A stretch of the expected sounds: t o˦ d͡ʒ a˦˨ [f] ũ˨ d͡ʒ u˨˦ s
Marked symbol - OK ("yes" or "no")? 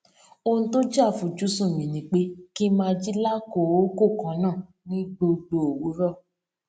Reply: yes